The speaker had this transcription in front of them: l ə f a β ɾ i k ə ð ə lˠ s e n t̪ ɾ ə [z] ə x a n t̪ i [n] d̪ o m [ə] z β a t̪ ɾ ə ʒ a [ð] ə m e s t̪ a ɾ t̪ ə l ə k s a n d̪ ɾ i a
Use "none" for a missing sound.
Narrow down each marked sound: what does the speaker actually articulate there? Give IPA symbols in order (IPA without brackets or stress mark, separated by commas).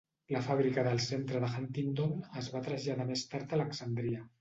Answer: ð, n, ə, ð